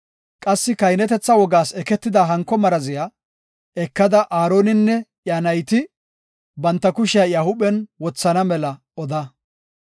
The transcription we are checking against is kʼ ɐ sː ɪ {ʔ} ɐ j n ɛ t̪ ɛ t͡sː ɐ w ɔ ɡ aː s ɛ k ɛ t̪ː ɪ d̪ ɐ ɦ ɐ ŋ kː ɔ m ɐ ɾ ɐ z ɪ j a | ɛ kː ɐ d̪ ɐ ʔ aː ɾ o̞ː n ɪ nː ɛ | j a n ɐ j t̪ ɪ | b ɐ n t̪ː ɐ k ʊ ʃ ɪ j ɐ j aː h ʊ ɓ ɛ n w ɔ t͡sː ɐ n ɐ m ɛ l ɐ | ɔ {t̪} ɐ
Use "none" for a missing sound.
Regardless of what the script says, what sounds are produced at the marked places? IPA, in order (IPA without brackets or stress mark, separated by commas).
k, d̪